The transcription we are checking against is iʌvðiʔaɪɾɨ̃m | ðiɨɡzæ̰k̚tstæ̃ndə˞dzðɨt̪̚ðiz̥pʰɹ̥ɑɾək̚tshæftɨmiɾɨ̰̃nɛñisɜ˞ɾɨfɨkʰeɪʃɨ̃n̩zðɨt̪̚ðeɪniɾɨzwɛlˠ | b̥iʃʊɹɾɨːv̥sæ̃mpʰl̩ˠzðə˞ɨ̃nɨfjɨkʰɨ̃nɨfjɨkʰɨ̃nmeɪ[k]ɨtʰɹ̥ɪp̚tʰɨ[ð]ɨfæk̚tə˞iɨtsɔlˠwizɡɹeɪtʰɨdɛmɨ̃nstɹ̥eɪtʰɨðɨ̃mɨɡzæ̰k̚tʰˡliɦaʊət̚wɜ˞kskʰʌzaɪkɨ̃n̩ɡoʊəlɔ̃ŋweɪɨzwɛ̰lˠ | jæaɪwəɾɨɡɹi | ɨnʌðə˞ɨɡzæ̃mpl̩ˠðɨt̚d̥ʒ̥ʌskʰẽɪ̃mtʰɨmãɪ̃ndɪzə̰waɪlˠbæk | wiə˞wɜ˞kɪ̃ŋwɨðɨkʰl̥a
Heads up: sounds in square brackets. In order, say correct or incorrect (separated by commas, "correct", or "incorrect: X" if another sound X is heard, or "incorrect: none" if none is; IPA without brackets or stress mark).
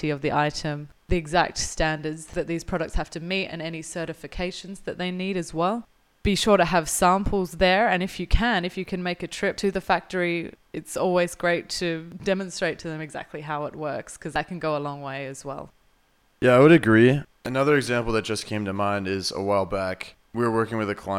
correct, correct